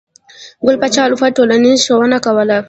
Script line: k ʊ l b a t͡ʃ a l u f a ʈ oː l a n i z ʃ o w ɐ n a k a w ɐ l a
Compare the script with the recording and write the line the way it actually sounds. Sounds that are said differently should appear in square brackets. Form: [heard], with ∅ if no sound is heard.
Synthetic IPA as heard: [ɡ] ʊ l [p] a t͡ʃ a l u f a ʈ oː l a n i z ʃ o w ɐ n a k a w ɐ l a